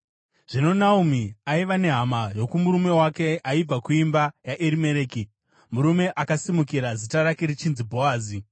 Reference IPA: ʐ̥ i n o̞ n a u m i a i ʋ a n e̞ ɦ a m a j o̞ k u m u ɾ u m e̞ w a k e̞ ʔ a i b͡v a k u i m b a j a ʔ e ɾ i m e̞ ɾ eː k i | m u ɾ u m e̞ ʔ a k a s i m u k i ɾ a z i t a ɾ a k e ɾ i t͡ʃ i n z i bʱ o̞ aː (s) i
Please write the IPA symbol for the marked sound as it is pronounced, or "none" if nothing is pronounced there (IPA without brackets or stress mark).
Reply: z